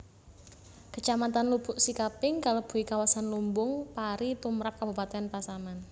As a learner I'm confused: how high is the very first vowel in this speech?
mid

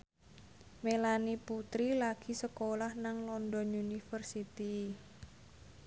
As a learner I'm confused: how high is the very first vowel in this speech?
mid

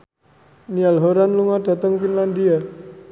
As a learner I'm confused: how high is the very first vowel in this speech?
high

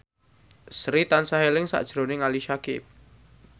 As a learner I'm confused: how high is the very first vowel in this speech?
high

